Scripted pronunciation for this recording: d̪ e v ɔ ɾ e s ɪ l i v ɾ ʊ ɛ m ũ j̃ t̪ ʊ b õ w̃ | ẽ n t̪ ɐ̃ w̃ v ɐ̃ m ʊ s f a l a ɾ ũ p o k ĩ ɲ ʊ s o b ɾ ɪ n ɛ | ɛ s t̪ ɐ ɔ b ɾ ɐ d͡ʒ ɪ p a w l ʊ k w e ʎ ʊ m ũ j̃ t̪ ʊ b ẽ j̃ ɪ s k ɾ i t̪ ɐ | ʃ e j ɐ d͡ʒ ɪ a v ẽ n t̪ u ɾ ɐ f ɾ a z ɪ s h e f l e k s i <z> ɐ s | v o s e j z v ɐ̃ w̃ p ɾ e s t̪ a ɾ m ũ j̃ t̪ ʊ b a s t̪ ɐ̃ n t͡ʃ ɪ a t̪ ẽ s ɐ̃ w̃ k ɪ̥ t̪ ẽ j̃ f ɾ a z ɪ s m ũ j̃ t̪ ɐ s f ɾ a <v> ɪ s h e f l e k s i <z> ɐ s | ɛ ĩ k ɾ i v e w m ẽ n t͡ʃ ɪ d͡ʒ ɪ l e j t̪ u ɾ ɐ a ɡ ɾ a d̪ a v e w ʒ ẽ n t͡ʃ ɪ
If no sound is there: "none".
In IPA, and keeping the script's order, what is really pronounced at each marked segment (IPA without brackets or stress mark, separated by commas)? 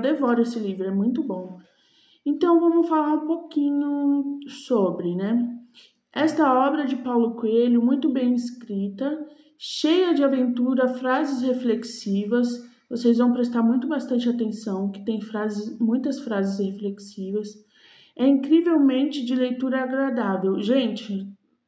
v, z, v